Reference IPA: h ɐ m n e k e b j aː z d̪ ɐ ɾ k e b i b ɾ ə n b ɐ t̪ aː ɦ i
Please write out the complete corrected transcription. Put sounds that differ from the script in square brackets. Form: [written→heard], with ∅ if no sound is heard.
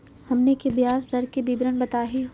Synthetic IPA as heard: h ɐ m n e k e b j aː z d̪ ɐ ɾ k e b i b ɾ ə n b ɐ t̪ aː ɦ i

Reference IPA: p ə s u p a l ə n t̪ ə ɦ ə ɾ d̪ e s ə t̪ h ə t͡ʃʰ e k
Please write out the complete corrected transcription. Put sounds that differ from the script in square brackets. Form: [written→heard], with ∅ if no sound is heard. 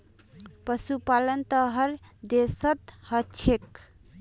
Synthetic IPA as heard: p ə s u p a l ə n t̪ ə ɦ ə ɾ d̪ e s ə t̪ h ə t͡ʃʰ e k

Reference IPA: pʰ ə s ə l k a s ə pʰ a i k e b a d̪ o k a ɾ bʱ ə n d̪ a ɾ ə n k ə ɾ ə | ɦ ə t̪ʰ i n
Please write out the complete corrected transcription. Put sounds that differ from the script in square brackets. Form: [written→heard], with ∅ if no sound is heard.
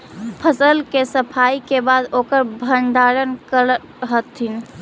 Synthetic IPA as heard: pʰ ə s ə l k [a→e] s ə pʰ a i k e b a d̪ o k [a→ə] ɾ bʱ ə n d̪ a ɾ ə n k ə ɾ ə | ɦ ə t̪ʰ i n

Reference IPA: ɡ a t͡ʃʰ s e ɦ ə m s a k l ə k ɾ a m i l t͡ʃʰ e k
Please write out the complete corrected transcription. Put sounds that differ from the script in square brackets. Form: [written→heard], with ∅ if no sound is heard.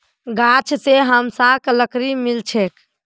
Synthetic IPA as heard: ɡ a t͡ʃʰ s e ɦ ə m s a k l ə k ɾ [a→i] m i l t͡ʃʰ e k

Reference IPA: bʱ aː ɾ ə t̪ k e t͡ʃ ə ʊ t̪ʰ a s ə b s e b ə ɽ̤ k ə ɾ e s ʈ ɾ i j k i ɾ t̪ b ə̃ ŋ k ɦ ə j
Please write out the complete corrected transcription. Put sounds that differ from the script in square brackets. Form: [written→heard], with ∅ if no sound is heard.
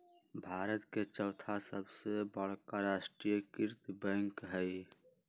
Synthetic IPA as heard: bʱ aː ɾ ə t̪ k e t͡ʃ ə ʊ t̪ʰ a s ə b s e b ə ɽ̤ k [ə→a] ɾ [e→a] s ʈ ɾ i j k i ɾ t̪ b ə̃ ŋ k ɦ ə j

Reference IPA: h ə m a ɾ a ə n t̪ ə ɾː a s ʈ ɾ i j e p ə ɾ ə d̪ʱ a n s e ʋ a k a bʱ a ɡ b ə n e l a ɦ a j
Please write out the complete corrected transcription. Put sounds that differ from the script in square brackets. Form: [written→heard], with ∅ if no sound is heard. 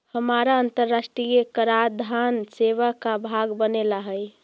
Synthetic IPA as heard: h ə m a ɾ a ə n t̪ ə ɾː a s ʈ ɾ i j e [p→k] ə ɾ [ə→a] d̪ʱ a n s e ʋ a k a bʱ a ɡ b ə n e l a ɦ [a→ə] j

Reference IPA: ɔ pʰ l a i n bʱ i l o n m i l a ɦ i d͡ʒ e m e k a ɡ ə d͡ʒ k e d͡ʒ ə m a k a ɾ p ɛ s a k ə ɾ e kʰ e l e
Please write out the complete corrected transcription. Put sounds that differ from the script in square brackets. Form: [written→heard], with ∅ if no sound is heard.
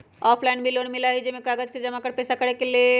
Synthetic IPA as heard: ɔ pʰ l a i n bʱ i l o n m i l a ɦ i d͡ʒ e m e k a ɡ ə d͡ʒ k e d͡ʒ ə m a k [a→ə] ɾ p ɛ s a k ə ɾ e [kʰ→k] e l e

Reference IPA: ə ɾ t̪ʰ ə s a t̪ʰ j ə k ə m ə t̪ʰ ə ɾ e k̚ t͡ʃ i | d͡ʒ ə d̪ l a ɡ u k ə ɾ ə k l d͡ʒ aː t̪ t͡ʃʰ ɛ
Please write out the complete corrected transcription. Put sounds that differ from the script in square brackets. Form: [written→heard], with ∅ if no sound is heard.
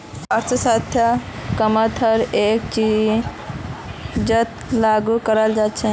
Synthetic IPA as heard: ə ɾ t̪ʰ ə s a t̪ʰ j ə k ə m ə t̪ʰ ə ɾ e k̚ t͡ʃ i | d͡ʒ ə [d̪→t̪] l a ɡ u k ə ɾ ə [k→∅] l d͡ʒ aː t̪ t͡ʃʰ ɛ

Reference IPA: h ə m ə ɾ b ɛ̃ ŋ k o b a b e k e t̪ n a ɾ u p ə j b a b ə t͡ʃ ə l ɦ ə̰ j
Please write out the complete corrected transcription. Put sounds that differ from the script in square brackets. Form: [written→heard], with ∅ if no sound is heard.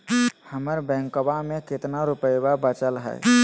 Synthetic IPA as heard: h ə m ə ɾ b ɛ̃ ŋ k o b a [b→m] e k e t̪ n a ɾ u p ə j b a b ə t͡ʃ ə l ɦ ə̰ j

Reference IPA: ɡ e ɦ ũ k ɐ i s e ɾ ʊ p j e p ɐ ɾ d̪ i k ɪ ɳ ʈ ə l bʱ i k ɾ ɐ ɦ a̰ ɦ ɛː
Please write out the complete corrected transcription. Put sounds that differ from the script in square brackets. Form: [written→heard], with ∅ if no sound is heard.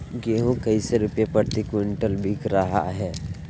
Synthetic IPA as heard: ɡ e ɦ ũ k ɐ i s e ɾ ʊ p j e p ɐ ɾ [d̪→t̪] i k ɪ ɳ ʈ ə l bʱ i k ɾ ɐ ɦ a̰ ɦ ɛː

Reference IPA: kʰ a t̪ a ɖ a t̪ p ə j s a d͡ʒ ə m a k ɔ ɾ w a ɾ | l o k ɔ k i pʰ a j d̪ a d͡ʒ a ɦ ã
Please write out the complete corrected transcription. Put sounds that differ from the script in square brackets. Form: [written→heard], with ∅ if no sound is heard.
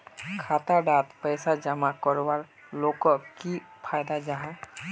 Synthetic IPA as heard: kʰ a t̪ a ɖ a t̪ p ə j s a d͡ʒ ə m a k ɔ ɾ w a ɾ | l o k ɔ k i pʰ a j d̪ a d͡ʒ a ɦ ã

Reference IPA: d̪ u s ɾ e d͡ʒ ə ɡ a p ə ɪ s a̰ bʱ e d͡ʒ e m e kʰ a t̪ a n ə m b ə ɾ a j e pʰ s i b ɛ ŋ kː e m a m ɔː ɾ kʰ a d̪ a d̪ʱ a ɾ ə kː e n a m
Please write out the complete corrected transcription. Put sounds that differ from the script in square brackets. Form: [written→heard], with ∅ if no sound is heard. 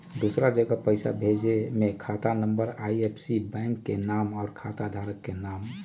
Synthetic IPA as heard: d̪ u s ɾ [e→a] d͡ʒ ə ɡ a p ə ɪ s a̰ bʱ e d͡ʒ e m e kʰ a t̪ a n ə m b ə ɾ a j e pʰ s i b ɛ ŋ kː e [m→n] a m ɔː ɾ kʰ a [d̪→t̪] a d̪ʱ a ɾ ə kː e n a m

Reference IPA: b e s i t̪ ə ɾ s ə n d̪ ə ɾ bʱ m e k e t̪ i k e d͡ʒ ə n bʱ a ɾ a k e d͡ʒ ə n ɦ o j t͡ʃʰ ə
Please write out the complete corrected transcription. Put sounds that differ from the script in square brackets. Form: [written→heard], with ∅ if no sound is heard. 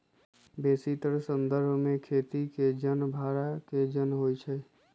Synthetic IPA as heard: b e s i t̪ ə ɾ s ə n d̪ ə ɾ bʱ m e [k→kʰ] e t̪ i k e d͡ʒ ə n bʱ a ɾ a k e d͡ʒ ə n ɦ o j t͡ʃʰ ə

